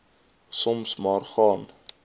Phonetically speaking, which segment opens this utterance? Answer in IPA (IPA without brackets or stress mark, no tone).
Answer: s